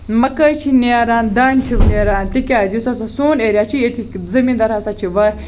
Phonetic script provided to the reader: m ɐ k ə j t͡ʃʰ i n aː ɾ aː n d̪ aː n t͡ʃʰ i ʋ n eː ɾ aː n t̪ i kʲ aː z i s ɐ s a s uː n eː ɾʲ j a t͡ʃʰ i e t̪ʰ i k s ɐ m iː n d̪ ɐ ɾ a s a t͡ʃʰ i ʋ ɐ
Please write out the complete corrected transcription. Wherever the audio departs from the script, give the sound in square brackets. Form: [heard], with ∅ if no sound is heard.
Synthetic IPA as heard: m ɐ k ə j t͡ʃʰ i n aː ɾ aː n d̪ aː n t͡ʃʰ i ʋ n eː ɾ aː n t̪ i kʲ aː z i s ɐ s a s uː n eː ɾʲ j a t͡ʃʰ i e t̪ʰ i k [z] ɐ m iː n d̪ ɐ ɾ a s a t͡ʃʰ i ʋ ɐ